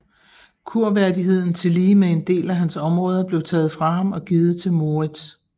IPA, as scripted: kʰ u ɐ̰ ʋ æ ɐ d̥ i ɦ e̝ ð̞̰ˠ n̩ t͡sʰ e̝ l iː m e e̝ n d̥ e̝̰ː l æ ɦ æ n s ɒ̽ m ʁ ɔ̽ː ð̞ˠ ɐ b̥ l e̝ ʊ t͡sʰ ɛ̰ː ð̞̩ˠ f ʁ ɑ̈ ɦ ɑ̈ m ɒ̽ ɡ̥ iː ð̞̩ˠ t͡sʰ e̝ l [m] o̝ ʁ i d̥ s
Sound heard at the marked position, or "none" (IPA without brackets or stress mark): m